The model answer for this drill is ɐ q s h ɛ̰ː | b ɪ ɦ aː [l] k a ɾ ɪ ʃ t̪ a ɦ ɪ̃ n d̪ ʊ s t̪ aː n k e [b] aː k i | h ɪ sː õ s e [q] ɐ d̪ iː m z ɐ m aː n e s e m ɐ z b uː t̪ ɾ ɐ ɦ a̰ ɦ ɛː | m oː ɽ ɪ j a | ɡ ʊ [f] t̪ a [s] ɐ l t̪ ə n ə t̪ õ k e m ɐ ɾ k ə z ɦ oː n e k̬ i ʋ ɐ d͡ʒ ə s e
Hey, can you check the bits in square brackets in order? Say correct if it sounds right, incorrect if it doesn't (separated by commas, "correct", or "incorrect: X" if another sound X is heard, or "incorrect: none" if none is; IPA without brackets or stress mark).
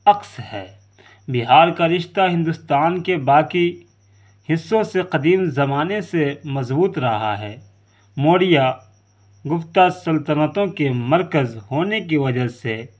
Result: incorrect: ɾ, correct, correct, correct, correct